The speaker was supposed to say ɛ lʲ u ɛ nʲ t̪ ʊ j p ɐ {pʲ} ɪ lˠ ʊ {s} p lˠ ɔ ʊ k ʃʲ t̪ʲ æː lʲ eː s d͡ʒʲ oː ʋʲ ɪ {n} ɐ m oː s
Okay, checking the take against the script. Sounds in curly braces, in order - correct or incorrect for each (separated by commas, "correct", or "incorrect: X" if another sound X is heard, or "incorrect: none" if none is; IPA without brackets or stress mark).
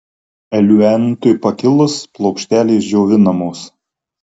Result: incorrect: kʲ, correct, correct